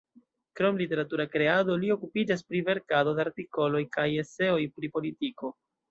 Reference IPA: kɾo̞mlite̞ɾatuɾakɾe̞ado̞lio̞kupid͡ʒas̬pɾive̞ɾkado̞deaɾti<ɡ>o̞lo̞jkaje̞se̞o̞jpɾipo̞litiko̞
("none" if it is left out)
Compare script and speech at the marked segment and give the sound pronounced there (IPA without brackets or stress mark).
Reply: k